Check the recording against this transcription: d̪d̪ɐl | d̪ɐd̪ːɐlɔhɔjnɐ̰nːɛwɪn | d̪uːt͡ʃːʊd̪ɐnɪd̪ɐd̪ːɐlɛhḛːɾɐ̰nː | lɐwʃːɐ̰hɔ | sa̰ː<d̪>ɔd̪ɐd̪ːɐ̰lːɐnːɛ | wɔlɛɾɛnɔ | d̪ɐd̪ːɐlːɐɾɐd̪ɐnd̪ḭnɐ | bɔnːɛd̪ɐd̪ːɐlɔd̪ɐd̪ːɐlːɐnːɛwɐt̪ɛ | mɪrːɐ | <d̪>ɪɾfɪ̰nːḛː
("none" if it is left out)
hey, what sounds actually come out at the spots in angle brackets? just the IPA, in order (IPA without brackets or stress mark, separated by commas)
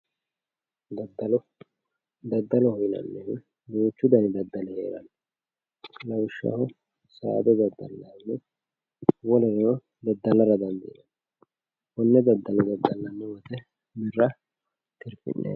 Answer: d̪, t̪